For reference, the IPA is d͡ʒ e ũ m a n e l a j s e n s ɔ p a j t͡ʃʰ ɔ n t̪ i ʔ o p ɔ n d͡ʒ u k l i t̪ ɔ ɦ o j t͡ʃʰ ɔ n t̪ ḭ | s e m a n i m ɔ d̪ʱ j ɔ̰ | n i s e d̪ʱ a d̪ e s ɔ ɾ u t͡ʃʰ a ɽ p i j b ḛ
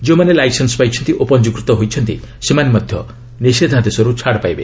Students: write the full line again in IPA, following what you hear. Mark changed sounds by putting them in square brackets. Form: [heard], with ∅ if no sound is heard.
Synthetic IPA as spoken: d͡ʒ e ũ m a n e l a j s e n s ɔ p a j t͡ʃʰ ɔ n t̪ i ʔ o p ɔ n d͡ʒ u k [ɾ] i t̪ ɔ ɦ o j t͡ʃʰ ɔ n t̪ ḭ | s e m a n [e] m ɔ d̪ʱ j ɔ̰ | n i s e d̪ʱ a d̪ e s ɔ ɾ u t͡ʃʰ a ɽ p [a] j b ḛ